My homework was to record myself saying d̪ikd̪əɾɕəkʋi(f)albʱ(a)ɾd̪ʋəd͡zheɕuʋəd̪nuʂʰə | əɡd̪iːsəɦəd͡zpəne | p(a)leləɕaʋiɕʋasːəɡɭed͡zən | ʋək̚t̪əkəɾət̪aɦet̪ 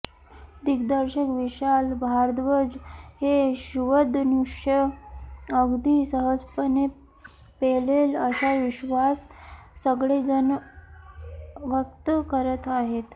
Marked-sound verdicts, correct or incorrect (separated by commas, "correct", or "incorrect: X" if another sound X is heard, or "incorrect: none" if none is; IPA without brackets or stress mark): incorrect: ɕ, correct, incorrect: e